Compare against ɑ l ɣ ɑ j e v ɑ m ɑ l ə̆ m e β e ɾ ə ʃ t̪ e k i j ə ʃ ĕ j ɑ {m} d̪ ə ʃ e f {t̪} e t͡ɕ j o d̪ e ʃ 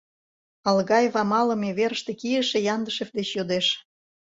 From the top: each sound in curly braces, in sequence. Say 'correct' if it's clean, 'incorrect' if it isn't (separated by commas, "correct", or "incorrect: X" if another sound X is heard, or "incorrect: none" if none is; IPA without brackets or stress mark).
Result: incorrect: n, incorrect: d̪